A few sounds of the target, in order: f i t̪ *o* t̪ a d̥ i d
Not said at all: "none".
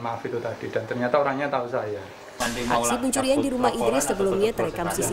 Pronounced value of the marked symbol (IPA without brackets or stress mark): u